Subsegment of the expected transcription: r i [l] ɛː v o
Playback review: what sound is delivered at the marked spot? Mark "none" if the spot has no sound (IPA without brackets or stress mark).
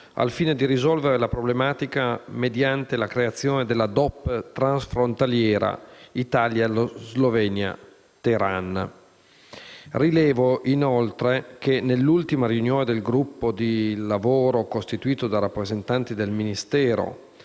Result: l